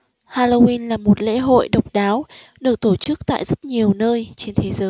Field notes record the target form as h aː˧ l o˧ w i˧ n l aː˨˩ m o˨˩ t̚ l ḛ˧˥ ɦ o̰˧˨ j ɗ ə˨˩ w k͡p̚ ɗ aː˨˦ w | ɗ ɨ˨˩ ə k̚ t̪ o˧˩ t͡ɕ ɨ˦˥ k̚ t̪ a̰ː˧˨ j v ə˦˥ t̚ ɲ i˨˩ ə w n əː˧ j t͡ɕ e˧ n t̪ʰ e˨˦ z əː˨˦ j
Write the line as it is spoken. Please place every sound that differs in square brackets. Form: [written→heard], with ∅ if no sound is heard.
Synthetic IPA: h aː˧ l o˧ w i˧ n l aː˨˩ m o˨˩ t̚ l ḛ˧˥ ɦ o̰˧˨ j ɗ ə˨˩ w k͡p̚ ɗ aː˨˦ w | ɗ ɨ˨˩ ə k̚ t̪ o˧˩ t͡ɕ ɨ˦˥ k̚ t̪ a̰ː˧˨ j [v→z] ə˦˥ t̚ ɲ i˨˩ ə w n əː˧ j t͡ɕ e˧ n t̪ʰ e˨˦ z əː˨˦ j